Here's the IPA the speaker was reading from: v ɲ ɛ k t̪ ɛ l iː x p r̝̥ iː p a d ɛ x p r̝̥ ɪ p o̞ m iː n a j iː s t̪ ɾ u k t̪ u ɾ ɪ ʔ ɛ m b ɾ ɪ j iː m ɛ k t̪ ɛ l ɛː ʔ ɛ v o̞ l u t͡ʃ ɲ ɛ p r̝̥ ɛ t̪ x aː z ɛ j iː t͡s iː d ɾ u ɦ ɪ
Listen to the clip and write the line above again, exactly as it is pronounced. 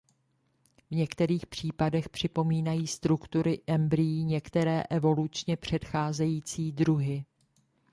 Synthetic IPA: v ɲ ɛ k t̪ ɛ ɾ iː x p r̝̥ iː p a d ɛ x p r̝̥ ɪ p o̞ m iː n a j iː s t̪ ɾ u k t̪ u ɾ ɪ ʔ ɛ m b ɾ ɪ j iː ɲ ɛ k t̪ ɛ ɾ ɛː ʔ ɛ v o̞ l u t͡ʃ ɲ ɛ p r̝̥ ɛ t̪ x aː z ɛ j iː t͡s iː d ɾ u ɦ ɪ